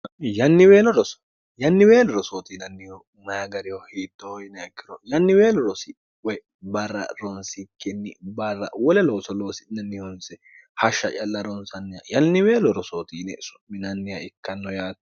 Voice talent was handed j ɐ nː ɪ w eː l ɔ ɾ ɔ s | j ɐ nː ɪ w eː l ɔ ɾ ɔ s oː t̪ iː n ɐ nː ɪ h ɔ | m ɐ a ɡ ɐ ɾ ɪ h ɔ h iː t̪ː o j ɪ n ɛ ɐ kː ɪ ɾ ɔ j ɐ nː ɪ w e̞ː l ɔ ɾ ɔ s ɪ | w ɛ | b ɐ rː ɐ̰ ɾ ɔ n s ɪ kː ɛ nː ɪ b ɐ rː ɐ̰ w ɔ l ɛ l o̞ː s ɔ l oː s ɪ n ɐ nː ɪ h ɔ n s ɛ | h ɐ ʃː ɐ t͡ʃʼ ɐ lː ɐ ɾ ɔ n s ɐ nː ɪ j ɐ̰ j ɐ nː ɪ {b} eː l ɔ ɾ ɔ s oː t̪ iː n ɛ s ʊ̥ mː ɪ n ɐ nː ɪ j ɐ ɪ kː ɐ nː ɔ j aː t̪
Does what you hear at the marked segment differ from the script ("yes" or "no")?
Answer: yes